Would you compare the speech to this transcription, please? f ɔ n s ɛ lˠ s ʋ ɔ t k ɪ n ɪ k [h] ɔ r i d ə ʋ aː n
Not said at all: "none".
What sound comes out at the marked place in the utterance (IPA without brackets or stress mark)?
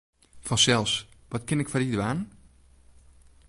f